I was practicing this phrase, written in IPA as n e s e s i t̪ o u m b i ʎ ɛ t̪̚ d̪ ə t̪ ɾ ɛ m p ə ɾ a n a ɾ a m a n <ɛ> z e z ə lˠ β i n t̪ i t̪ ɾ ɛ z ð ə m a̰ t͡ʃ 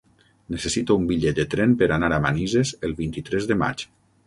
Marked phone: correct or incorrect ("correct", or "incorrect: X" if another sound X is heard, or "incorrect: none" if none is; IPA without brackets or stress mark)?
incorrect: i